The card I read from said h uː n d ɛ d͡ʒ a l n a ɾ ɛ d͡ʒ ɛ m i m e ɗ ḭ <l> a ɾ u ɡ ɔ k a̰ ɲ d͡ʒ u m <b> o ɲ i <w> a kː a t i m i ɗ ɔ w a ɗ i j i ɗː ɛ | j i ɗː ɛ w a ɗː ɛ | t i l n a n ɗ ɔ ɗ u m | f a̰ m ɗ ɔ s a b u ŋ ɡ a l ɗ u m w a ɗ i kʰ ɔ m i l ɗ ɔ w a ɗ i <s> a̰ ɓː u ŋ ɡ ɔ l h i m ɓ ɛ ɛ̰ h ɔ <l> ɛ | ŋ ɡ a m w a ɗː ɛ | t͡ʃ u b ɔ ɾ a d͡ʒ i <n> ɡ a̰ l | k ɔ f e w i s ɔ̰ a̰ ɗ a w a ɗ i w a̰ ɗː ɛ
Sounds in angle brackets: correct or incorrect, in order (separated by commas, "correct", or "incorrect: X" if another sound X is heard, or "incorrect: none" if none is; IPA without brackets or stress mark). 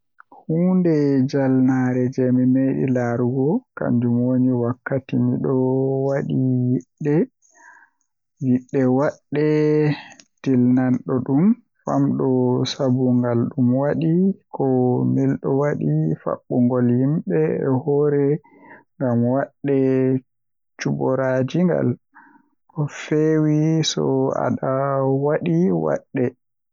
correct, incorrect: w, correct, incorrect: f, incorrect: ɾ, incorrect: ŋ